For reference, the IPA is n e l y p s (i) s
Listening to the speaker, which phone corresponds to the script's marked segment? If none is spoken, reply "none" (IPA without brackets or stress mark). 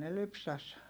æ